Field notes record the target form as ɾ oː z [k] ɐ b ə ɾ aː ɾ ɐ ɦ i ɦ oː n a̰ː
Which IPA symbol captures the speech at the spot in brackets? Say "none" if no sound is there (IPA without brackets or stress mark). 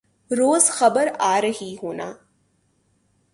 x